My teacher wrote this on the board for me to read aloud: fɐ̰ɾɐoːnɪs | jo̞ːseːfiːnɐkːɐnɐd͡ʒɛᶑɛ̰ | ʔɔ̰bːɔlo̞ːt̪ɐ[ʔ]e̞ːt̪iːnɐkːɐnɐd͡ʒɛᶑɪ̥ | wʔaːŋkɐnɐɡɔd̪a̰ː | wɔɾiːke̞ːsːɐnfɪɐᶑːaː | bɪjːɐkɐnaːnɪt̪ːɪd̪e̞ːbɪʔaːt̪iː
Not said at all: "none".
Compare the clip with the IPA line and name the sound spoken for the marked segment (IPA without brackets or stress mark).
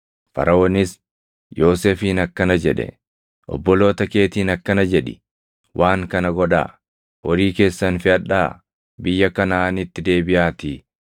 k